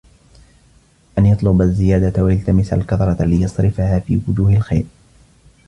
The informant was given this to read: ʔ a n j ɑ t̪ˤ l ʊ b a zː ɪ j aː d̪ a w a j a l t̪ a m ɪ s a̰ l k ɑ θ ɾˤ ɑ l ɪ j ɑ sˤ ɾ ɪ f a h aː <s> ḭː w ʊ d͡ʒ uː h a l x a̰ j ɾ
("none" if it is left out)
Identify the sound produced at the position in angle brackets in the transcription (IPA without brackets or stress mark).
f